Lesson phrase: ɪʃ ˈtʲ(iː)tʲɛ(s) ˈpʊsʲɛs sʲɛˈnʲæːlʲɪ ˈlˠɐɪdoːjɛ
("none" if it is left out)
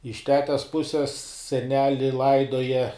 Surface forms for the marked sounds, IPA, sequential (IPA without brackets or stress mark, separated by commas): æː, s